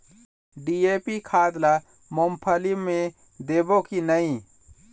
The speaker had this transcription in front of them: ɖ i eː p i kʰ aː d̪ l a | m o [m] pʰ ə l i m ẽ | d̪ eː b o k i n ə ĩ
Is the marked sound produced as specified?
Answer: yes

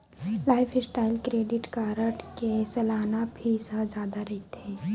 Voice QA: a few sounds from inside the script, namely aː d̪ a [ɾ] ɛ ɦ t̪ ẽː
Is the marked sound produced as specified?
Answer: yes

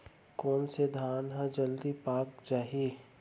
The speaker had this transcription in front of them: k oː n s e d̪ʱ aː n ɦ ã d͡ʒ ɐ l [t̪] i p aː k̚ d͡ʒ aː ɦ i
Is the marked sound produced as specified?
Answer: no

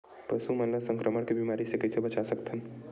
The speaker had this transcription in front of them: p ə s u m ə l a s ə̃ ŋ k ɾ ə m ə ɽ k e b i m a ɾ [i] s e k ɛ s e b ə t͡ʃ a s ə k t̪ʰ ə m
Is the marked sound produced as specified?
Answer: yes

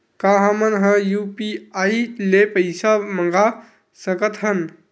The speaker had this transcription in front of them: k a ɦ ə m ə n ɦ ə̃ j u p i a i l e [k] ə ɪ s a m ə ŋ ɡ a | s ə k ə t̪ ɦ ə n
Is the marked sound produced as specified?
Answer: no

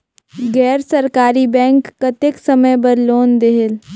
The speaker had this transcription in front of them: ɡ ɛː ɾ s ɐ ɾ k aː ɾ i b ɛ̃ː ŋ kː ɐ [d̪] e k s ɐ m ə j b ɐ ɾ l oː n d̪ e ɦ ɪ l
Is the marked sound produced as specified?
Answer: no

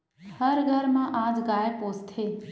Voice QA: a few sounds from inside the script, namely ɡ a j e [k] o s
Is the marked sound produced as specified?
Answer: no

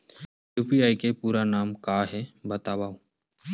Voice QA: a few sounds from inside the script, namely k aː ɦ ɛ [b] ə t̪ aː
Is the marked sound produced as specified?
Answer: yes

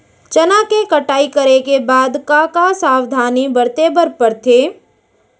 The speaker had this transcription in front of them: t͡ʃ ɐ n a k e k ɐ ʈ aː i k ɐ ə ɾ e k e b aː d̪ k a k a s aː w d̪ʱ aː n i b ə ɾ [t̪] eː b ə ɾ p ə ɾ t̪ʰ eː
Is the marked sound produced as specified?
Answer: yes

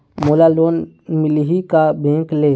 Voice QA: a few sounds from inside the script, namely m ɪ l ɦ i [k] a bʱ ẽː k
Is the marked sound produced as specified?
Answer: yes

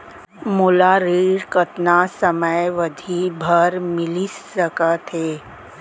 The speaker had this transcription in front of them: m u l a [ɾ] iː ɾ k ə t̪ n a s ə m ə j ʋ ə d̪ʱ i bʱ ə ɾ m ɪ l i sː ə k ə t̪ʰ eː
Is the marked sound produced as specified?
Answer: yes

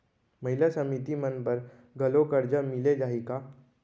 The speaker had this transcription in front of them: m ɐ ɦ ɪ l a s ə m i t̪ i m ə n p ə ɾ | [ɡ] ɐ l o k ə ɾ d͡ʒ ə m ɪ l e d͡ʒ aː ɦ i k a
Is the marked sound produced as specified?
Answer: yes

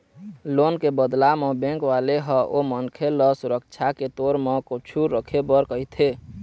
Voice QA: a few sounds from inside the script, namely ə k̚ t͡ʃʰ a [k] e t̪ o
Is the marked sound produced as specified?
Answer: yes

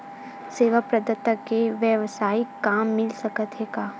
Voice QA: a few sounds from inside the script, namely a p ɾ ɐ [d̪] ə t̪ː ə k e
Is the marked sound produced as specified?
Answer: yes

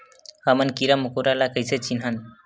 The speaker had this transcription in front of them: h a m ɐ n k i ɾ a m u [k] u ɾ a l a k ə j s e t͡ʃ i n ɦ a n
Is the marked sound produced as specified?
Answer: yes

